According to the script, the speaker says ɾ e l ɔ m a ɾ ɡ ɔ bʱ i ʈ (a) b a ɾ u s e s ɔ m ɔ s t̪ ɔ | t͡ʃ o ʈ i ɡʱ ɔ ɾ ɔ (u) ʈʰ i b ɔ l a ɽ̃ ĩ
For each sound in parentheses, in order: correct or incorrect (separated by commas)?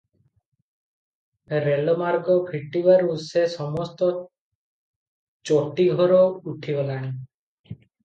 incorrect, correct